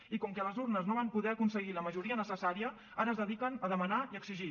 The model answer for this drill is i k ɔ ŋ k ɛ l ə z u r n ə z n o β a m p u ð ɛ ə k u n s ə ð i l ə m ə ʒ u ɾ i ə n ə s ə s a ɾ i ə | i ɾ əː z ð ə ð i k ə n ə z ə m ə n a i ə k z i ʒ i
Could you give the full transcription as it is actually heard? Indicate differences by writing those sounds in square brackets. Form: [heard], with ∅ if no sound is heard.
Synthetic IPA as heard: i k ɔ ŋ k ɛ l ə z u r n ə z n o β a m p u ð ɛ ə k u n s ə [ɣ] i l ə m ə ʒ u ɾ i ə n ə s ə s a ɾ i ə | [a] ɾ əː z ð ə ð i k ə n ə [ð] ə m ə n a i ə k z i ʒ i

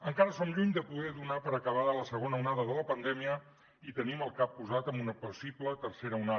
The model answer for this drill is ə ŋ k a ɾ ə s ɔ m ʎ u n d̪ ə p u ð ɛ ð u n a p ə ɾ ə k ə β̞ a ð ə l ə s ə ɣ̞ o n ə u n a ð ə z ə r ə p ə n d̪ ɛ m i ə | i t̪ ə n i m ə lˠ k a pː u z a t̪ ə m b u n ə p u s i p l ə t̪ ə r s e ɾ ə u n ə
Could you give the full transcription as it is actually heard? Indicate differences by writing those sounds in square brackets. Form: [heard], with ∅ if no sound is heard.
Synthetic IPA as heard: ə ŋ k a ɾ ə s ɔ m ʎ u [ɲ] d̪ ə p u ð ɛ ð u n a p ə ɾ ə k ə β̞ a ð ə l ə s ə ɣ̞ o n ə u n a ð ə [ð] ə [l] ə p ə n d̪ ɛ m i ə | i t̪ ə n i m ə lˠ k a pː u z a t̪ ə m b u n ə p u s i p l ə t̪ ə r s e ɾ ə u n [a]

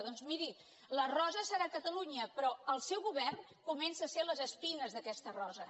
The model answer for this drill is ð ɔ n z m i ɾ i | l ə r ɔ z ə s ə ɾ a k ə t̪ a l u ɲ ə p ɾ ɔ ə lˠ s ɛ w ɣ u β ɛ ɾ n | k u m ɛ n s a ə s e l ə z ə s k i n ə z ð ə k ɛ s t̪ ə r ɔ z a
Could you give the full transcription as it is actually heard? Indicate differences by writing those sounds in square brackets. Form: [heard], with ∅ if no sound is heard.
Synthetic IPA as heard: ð ɔ n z m i ɾ i | l ə r ɔ z ə s ə ɾ a k ə t̪ [ə] l u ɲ ə p ɾ ɔ ə lˠ s ɛ w ɣ u β ɛ [r] n | k u m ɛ n s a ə s e l ə z ə s [p] i n ə z ð ə k ɛ s t̪ ə r ɔ z [ə]

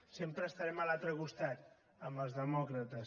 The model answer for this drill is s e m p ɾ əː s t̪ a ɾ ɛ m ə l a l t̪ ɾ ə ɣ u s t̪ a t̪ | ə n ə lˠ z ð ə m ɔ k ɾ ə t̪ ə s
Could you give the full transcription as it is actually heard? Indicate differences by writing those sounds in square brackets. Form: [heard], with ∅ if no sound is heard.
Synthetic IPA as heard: s e m p ɾ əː s t̪ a ɾ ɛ m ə l a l t̪ ɾ ə ɣ u s t̪ a t̪ | ə [m] ə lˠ z ð ə m ɔ k ɾ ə t̪ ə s

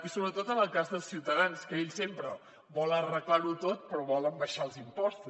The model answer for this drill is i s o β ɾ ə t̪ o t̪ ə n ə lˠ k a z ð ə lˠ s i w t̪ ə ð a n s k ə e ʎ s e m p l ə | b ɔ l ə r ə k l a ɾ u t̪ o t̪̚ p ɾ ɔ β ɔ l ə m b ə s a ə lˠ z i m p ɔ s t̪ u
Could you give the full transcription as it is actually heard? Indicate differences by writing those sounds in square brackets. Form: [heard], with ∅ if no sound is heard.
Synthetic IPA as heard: i s o β ɾ ə t̪ o t̪ ə n ə lˠ k a z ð ə lˠ s i w t̪ ə ð a n s k ə e ʎ s e m p [ɾ] ə | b ɔ l ə r ə k l a ɾ u t̪ o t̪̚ p ɾ ɔ β ɔ l ə m b ə [ʃ] a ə lˠ z i m p ɔ s t̪ u

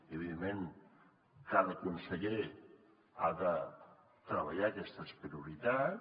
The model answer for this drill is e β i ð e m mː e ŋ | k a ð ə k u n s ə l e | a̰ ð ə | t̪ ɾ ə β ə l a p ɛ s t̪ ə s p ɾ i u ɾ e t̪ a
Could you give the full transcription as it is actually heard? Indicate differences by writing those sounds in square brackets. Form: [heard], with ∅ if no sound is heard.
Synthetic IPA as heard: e β i ð e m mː e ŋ | k a ð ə k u n s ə [ʎ] e | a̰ ð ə | t̪ ɾ ə β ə [ʎ] a [k] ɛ s t̪ ə s p ɾ i u ɾ [i] t̪ a

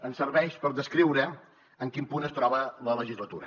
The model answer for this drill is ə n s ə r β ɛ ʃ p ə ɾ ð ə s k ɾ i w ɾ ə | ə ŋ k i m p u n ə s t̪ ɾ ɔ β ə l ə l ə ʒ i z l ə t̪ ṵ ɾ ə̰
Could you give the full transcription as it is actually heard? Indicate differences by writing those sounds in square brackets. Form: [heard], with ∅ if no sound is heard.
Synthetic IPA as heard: ə n s ə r β ɛ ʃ p ə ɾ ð ə s k ɾ i w ɾ ə | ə ŋ k i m p u n ə s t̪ ɾ ɔ β ə l ə l ə ʒ i z l ə t̪ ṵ ɾ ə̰

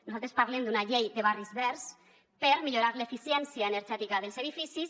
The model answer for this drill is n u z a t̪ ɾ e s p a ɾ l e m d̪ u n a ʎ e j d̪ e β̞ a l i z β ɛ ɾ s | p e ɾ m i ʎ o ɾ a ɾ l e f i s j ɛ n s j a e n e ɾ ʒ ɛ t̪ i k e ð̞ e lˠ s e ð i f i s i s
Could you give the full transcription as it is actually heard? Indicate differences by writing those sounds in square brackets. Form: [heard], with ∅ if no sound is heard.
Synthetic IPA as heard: n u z a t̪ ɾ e s p a ɾ l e m d̪ u n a ʎ e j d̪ e β̞ a [r] i z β ɛ ɾ s | p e ɾ m i ʎ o ɾ a ɾ l e f i s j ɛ n s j a e n e ɾ ʒ ɛ t̪ i k [a] ð̞ e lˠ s e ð i f i s i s

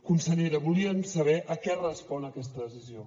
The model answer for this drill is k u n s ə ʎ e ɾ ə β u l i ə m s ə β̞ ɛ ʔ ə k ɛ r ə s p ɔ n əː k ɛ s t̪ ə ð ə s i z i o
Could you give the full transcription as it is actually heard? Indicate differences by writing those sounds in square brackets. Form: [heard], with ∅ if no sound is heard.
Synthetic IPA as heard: k u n s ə ʎ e ɾ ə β u l i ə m s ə β̞ ɛ ʔ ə k ɛ r ə s p ɔ n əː k ɛ s t̪ ə ð ə s i z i o

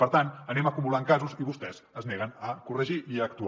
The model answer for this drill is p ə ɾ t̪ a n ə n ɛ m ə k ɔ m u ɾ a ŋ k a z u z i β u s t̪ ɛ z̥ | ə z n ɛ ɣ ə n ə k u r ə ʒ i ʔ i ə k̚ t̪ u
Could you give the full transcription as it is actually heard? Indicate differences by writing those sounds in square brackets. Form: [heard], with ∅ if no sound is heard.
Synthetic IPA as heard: p ə ɾ t̪ a n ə n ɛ m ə k [u] m u [l] a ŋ k a z u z i β u s t̪ ɛ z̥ | ə z n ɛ ɣ ə n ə k u r ə ʒ i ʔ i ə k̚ t̪ u

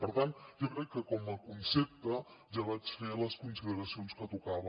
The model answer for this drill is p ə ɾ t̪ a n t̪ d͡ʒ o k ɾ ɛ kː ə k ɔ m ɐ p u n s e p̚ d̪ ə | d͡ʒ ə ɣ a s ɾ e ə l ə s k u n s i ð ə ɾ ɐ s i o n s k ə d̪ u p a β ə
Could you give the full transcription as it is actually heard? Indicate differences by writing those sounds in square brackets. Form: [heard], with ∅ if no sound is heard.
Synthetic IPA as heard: p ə ɾ t̪ a n t̪ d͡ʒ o k ɾ ɛ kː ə k ɔ m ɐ [k] u n s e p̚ [t̪] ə | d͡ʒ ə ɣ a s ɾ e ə l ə s k u n s i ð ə ɾ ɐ s i o n s k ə [t̪] u [k] a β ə

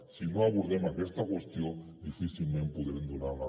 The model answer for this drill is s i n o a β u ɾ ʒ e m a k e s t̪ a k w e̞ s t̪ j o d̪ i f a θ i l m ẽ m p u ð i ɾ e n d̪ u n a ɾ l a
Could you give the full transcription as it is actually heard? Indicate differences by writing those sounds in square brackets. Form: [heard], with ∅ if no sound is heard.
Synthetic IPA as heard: s i n o a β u ɾ [ð] e m a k e s t̪ a k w e̞ s t̪ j o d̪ i f [i] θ i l m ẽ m p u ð [e] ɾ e n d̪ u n a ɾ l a

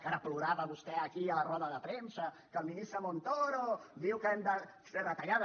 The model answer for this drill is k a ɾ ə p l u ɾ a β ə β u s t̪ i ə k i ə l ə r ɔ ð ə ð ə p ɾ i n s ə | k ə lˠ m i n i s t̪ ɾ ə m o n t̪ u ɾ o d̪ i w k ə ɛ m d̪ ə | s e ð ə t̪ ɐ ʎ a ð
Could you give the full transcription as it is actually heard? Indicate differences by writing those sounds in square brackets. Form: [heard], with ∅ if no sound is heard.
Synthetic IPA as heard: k a ɾ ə p l u ɾ a β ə β u s t̪ [ɛ] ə k i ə l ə r ɔ ð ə ð ə p ɾ [e] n s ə | k ə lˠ m i n i s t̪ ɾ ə m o n t̪ [o] ɾ o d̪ i w k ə ɛ m d̪ ə | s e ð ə t̪ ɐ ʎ a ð

